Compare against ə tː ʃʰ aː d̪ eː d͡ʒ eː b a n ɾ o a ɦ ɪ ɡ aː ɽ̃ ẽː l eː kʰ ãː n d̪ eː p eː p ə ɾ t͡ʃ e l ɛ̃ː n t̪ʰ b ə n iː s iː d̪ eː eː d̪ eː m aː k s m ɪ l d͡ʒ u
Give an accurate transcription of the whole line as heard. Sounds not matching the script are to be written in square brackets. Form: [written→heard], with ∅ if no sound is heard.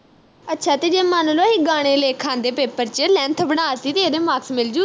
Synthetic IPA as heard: ə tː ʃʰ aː [d̪→t̪] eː d͡ʒ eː [b→m] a n [ɾ→l] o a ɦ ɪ ɡ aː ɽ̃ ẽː l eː kʰ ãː n d̪ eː p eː p ə ɾ t͡ʃ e l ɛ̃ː n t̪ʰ b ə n [iː→aː] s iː [d̪→t̪] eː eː d̪ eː m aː k s m ɪ l d͡ʒ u